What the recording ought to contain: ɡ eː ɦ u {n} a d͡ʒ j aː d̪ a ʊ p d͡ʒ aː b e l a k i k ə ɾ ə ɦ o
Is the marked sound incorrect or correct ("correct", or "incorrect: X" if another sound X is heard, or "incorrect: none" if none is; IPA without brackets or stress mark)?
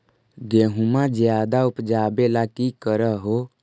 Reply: incorrect: m